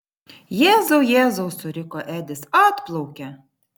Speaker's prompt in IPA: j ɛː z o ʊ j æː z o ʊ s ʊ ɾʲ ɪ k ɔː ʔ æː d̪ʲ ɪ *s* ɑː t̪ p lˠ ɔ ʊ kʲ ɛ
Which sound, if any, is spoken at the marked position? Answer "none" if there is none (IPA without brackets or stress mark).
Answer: s